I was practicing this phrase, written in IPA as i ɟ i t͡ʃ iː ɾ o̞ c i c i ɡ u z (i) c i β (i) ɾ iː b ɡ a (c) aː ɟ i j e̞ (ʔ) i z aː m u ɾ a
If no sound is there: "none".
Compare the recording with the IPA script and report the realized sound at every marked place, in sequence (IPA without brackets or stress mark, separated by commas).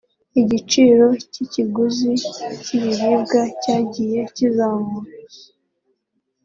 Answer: i, i, c, c